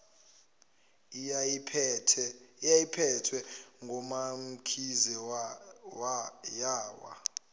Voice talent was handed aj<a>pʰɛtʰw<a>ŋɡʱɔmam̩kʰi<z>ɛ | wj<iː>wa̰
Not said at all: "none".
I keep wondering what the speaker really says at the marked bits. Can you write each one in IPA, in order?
i, ɛ, z, aː

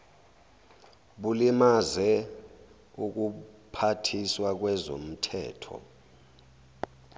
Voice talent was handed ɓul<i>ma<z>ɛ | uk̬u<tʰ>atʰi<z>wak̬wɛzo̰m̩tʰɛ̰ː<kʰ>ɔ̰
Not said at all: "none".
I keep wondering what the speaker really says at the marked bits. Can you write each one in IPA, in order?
i, z, pʰ, s, tʰ

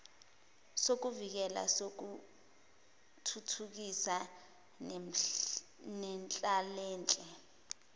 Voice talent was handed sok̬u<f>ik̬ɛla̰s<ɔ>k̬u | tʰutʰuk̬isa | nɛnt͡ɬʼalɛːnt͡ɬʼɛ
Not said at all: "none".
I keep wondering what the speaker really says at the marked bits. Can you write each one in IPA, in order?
v, o

